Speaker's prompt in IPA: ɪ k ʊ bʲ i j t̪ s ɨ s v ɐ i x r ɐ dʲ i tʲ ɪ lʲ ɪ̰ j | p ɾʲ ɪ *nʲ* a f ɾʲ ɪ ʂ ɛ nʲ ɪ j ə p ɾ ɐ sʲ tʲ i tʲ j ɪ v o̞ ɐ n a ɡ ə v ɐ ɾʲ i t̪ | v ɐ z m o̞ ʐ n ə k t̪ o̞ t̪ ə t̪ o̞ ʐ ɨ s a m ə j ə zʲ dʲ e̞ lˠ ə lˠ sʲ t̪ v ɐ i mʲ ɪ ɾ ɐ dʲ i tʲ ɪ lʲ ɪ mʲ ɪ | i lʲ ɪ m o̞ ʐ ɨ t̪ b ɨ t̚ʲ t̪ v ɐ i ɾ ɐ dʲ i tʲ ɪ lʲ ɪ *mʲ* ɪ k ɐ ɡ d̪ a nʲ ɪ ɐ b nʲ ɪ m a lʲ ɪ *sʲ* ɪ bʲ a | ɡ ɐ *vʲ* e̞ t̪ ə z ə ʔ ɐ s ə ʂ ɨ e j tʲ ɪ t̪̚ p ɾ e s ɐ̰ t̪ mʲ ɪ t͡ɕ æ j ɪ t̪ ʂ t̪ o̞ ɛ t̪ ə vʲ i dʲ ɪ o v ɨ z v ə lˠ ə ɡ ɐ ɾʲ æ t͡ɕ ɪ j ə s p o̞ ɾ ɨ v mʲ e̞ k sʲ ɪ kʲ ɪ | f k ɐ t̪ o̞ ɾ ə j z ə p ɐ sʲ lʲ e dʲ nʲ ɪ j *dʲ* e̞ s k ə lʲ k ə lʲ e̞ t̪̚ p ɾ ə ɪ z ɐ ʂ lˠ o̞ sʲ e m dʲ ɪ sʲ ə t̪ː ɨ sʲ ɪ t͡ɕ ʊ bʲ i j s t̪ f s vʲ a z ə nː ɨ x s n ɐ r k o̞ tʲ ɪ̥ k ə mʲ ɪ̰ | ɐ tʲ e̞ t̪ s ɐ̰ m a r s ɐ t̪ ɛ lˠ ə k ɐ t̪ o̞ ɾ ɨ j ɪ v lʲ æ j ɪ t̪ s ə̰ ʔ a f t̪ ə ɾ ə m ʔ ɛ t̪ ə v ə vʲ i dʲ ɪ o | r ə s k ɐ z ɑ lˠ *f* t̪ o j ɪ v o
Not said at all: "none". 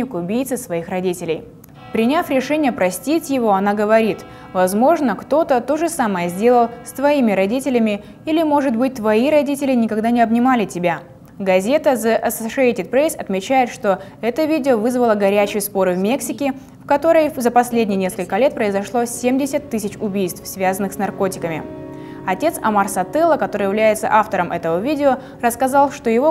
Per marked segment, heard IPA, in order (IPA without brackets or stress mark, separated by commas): nʲ, nʲ, tʲ, zʲ, nʲ, ʂ